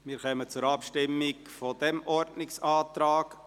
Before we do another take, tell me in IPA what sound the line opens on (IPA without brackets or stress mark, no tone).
m